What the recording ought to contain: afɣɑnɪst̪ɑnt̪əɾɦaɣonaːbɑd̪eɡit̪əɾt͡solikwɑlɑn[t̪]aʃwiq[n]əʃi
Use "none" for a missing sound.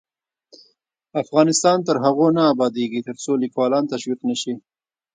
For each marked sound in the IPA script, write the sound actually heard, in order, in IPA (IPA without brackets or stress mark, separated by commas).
t̪, n